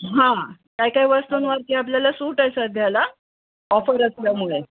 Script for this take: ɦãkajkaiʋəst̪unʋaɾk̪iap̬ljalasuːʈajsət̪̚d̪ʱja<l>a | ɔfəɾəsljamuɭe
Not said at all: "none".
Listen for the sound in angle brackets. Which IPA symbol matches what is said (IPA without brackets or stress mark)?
l